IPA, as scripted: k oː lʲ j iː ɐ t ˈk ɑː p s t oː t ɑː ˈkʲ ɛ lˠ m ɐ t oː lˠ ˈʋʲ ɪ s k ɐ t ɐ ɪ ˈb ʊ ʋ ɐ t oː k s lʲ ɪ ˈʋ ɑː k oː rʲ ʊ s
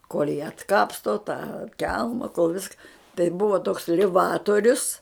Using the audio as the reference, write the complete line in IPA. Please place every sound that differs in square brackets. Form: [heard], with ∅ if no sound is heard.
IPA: k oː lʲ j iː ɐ t ˈk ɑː p s t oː t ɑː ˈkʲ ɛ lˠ m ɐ [k] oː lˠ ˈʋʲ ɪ s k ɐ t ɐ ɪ ˈb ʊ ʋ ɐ t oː k s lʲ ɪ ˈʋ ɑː [t] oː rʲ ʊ s